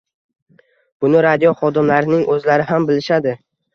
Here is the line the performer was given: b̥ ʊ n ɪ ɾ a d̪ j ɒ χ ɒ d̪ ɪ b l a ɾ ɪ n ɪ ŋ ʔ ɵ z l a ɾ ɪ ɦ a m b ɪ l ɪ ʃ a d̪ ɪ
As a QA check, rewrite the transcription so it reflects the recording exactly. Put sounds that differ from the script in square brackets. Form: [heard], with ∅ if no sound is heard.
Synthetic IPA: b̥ ʊ n ɪ ɾ a d̪ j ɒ χ ɒ d̪ ɪ [m] l a ɾ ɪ n ɪ ŋ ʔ ɵ z l a ɾ ɪ ɦ a m b ɪ l ɪ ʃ a d̪ ɪ